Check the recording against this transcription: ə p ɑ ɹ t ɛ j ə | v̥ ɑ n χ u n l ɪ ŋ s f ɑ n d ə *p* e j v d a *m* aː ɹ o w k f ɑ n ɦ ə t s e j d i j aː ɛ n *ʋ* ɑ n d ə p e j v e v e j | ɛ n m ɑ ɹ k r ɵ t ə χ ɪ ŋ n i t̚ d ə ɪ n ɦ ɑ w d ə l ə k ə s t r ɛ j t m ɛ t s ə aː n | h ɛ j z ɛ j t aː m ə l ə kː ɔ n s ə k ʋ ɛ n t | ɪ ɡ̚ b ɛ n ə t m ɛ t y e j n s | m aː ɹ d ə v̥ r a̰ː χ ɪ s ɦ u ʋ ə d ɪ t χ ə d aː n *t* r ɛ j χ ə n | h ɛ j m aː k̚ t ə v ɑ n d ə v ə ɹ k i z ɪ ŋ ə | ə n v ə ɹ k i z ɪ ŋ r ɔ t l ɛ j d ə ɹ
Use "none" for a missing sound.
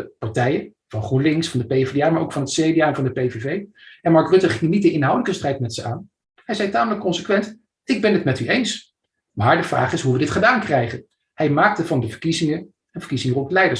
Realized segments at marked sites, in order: p, m, v, k

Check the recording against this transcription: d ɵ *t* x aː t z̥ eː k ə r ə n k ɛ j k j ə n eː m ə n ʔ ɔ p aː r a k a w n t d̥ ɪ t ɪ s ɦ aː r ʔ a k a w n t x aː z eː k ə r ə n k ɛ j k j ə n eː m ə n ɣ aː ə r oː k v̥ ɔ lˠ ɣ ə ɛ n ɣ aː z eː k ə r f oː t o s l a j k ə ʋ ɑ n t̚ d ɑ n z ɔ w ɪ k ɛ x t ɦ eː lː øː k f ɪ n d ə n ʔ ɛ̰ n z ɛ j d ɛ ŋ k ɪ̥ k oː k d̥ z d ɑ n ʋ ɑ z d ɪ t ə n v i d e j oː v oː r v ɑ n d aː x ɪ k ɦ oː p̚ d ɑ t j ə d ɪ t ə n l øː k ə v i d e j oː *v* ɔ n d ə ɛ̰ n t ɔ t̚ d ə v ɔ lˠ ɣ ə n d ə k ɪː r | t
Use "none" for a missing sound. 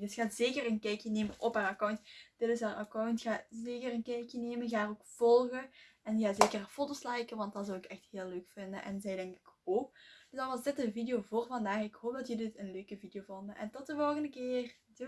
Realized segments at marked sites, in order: s, v

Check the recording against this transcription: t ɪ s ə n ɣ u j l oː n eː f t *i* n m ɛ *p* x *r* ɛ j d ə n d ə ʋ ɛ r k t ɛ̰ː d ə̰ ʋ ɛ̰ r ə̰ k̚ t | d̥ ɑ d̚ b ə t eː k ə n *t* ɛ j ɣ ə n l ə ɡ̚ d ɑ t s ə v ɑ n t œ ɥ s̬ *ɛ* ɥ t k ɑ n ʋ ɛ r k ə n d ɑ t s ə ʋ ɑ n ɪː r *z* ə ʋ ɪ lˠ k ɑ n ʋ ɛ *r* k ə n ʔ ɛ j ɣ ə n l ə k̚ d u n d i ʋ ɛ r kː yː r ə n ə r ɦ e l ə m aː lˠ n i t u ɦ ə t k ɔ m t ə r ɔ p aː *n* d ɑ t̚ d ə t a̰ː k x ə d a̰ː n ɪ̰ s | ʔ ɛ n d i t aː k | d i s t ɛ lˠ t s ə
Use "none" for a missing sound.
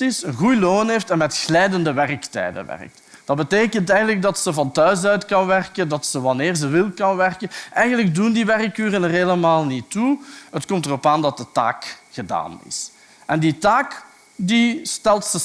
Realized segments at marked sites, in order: ɛ, t, l, t, œ, z, r, n

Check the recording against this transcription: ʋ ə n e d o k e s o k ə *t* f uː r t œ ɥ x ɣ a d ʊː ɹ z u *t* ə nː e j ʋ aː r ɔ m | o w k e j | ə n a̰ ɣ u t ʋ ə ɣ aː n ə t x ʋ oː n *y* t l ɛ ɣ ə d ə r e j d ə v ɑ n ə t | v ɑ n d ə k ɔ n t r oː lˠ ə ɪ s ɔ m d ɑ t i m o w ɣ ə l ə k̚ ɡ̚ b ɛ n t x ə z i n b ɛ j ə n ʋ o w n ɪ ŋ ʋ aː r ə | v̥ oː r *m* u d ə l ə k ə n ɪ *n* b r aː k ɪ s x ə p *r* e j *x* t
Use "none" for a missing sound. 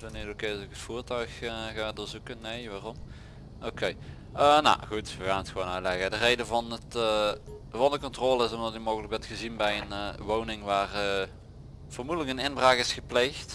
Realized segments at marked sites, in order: t, k, œ, m, n, l, x

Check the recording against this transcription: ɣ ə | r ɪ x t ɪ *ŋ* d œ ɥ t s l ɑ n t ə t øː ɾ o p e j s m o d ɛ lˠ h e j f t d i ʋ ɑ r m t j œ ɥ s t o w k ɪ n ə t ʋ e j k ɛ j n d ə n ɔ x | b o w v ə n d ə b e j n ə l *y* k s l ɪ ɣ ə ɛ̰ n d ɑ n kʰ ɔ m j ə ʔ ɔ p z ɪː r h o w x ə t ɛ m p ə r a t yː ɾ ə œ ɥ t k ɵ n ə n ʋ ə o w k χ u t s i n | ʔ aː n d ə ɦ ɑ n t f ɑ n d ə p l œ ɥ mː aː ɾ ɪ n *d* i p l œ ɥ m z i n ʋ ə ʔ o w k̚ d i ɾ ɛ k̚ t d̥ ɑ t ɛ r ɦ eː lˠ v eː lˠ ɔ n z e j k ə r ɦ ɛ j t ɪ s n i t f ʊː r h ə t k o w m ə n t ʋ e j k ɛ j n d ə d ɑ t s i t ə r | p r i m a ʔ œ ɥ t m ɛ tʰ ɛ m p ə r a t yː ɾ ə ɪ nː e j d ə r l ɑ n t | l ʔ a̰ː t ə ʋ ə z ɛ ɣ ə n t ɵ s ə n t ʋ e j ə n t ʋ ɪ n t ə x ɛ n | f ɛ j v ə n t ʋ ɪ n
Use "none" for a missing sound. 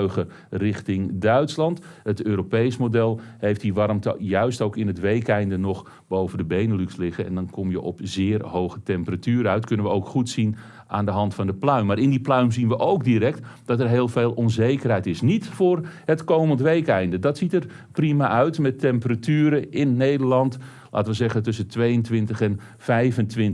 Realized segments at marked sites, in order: ŋ, y, d

